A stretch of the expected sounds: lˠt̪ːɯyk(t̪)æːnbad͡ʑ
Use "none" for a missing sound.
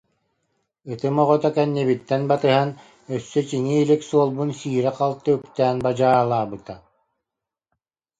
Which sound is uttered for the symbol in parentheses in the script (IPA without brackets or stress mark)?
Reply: t̪